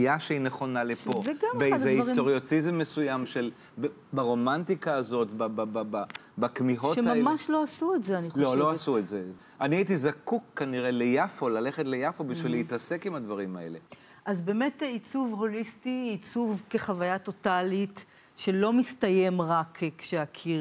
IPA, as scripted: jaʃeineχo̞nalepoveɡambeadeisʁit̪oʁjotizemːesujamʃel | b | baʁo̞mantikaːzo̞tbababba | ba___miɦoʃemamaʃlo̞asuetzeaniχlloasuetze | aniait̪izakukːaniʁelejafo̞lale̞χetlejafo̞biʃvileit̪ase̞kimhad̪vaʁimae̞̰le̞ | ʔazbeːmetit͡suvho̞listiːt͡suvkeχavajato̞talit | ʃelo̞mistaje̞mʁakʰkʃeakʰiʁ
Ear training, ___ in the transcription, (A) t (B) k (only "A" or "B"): B